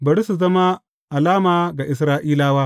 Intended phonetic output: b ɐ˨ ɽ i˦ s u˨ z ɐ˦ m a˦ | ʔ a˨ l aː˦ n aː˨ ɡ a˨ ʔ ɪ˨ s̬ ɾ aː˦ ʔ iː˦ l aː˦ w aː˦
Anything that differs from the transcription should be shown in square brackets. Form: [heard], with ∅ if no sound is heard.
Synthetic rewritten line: b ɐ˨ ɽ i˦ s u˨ z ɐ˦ m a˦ | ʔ a˨ l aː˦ [m] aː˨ ɡ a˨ ʔ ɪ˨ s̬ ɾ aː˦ ʔ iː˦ l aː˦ w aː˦